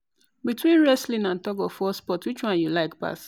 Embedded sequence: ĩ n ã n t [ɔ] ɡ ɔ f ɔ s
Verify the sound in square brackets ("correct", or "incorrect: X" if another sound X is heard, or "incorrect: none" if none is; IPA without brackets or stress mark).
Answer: correct